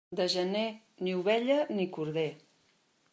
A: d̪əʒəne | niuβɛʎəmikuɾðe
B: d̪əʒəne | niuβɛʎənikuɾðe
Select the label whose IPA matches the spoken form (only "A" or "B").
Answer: B